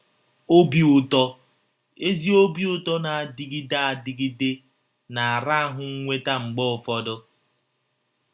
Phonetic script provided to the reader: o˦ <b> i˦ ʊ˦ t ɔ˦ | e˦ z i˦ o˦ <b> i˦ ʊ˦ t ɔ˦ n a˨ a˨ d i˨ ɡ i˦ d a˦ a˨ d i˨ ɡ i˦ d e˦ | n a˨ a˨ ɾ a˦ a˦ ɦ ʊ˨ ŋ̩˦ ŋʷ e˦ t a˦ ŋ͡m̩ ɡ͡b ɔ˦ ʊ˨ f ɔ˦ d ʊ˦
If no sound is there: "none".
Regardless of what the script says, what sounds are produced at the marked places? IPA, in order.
b, b

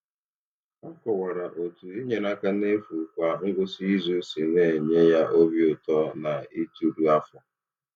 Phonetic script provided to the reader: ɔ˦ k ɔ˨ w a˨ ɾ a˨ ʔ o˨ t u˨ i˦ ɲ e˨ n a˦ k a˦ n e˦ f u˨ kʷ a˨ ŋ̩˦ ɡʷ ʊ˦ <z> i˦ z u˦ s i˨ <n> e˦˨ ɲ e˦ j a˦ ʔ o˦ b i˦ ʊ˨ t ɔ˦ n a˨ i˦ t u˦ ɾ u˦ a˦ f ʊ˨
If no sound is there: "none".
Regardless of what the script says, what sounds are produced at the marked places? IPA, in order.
s, n

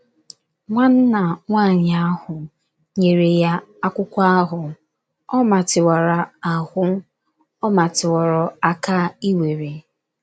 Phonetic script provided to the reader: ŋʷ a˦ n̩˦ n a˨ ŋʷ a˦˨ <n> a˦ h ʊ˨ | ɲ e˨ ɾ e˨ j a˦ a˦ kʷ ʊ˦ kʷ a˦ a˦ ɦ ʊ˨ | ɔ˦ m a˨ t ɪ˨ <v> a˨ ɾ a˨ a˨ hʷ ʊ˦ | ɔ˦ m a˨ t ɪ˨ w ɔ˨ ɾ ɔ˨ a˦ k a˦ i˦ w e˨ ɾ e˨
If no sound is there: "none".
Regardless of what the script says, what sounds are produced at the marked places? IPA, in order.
ɲ, w

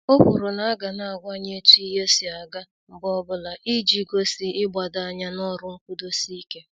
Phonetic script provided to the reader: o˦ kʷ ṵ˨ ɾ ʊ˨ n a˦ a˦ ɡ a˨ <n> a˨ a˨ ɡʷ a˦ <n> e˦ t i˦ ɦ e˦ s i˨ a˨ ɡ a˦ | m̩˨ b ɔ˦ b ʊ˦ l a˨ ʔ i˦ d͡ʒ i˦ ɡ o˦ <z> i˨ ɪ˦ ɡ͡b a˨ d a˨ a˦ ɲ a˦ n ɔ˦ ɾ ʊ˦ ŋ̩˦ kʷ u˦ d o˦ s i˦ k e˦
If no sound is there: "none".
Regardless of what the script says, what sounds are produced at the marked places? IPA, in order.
n, ɲ, s

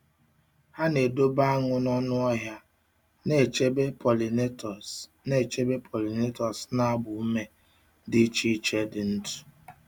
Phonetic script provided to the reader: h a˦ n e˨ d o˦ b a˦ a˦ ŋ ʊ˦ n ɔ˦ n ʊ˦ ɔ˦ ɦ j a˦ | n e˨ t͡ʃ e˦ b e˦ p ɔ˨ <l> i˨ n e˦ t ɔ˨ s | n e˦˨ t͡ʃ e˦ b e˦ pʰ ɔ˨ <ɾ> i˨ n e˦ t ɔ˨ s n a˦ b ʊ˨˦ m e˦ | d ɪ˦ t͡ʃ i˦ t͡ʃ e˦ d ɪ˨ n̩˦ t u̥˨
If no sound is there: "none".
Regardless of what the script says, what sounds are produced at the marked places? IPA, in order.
l, l

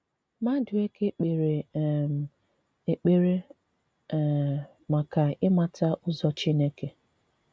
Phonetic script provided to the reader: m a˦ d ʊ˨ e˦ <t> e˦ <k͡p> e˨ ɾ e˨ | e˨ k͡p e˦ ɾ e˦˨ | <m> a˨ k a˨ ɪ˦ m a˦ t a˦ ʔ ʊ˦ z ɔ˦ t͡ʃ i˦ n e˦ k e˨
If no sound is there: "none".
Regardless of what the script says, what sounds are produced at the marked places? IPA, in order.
k, k͡p, m

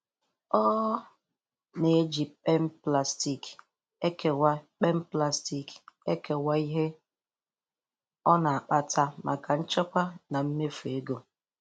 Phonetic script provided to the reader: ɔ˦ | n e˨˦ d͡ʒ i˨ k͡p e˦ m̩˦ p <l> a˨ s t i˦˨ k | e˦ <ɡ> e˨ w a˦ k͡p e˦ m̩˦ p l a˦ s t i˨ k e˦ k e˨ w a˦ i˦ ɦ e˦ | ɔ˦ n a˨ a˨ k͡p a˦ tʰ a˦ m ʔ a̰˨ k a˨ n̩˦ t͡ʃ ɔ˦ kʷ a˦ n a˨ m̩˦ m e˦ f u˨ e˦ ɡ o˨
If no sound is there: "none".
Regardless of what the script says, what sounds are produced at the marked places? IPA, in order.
l, k

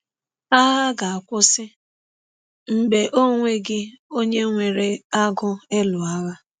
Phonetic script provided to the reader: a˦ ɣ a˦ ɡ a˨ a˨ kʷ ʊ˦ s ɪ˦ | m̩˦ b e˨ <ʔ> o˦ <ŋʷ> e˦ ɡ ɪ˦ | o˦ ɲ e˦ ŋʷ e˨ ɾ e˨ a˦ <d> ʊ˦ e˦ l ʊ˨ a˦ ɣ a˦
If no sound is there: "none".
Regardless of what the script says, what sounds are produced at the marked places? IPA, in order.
ʔ, ŋʷ, ɡ

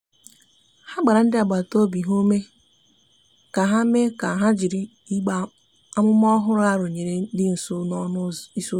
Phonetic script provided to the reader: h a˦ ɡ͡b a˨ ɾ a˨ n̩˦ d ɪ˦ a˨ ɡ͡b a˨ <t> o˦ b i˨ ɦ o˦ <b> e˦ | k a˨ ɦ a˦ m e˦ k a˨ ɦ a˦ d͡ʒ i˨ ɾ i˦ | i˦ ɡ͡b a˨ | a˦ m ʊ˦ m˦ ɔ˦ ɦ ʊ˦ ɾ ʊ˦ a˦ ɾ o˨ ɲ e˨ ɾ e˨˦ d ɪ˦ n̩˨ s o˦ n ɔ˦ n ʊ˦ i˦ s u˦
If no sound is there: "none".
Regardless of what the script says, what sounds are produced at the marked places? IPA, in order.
t, m

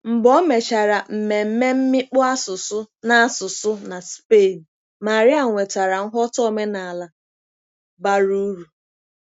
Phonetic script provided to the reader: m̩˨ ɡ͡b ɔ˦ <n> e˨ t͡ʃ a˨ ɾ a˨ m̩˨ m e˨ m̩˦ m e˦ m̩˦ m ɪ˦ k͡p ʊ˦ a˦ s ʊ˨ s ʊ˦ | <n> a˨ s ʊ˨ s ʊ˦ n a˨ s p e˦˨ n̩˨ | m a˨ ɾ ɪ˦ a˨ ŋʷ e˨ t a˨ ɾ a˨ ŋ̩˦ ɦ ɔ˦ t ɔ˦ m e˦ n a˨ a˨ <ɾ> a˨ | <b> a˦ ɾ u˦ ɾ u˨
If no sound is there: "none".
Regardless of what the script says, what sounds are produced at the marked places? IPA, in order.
m, n, l, b

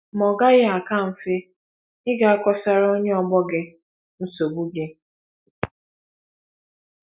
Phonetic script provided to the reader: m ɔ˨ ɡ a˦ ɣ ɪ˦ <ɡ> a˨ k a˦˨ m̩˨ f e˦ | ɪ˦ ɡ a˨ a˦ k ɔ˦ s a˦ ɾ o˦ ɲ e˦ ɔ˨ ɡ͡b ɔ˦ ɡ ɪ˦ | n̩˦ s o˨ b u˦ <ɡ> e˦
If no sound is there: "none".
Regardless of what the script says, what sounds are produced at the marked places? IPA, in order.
none, ɡ

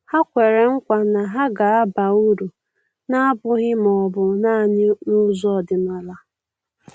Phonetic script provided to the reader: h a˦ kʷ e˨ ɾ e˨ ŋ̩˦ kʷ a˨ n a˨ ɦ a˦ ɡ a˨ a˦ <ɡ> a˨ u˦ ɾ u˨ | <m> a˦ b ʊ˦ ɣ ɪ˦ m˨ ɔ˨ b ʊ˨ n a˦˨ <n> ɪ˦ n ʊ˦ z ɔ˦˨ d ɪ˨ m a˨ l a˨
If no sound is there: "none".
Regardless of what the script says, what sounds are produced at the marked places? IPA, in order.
b, n, ɲ

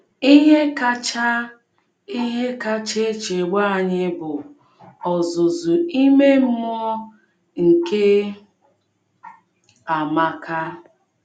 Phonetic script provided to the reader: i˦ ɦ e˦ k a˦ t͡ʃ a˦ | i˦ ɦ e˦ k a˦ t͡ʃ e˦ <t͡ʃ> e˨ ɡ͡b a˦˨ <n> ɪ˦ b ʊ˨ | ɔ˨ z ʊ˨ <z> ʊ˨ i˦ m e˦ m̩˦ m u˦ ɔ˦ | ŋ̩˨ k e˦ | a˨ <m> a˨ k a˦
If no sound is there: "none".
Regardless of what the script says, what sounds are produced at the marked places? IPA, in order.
t͡ʃ, ɲ, z, m

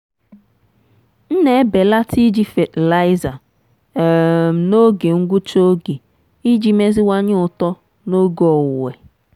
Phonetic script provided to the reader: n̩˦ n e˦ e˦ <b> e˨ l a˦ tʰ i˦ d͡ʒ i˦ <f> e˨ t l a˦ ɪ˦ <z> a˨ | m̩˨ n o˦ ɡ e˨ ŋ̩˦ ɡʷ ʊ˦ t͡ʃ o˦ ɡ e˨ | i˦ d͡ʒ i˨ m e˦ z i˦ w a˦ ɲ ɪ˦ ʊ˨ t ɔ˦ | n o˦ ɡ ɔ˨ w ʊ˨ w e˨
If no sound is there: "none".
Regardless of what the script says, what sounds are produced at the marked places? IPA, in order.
b, f, z

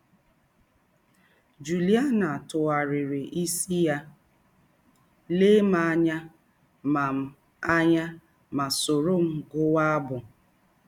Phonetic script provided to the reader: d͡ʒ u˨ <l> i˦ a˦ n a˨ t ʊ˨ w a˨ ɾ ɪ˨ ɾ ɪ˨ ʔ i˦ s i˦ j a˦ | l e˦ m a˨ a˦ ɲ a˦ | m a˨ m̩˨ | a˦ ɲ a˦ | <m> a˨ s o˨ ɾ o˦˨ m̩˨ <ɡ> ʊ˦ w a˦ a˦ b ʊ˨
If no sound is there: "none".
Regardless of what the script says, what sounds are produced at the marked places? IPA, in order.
l, m, ɡ

